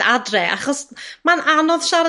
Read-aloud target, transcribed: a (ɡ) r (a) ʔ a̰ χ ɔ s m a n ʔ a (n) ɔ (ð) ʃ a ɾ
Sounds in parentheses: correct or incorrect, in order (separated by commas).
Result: incorrect, incorrect, correct, correct